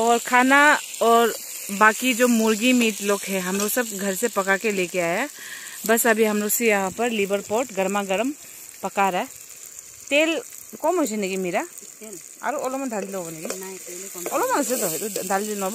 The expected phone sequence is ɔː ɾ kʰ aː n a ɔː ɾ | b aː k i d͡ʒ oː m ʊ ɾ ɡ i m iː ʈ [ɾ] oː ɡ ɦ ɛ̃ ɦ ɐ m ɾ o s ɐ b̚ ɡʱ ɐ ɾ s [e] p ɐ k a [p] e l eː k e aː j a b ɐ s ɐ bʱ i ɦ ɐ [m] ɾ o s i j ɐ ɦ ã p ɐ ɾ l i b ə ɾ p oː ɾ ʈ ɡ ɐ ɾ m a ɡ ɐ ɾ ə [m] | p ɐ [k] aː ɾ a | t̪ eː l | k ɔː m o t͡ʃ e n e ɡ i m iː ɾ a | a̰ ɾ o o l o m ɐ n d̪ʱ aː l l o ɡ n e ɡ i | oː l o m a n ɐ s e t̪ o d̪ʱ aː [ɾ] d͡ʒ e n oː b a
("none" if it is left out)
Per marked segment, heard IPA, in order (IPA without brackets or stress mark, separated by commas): l, e, k, m, m, k, l